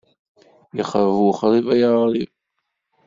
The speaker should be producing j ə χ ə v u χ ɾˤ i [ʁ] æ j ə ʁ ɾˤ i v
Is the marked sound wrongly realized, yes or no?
yes